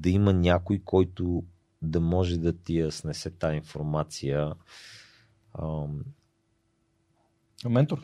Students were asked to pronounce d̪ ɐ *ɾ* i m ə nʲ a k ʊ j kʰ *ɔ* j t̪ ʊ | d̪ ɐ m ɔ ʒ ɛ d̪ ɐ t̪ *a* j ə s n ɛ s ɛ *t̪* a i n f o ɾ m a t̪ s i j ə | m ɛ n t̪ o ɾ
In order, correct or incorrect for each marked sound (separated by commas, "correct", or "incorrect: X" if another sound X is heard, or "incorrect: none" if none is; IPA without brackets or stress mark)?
incorrect: none, correct, incorrect: i, correct